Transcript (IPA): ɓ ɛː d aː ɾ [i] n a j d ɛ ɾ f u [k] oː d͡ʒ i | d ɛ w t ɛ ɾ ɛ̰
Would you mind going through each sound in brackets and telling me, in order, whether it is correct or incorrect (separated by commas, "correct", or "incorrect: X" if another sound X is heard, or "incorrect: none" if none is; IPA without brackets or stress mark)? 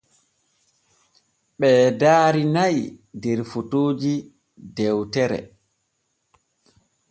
correct, incorrect: t